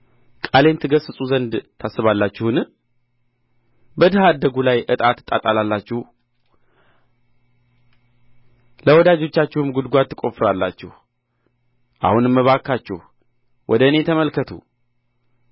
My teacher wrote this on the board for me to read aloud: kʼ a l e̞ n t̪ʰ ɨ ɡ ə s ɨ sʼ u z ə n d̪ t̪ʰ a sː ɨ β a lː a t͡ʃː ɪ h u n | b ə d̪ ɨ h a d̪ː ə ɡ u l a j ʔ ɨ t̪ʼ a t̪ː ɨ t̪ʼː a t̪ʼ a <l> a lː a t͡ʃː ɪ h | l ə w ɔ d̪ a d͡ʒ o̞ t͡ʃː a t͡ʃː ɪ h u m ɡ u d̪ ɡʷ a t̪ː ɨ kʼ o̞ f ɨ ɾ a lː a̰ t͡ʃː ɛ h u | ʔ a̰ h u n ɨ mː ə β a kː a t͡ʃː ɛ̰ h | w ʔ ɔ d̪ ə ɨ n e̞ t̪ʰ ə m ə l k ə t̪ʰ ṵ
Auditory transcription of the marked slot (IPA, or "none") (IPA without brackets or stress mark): l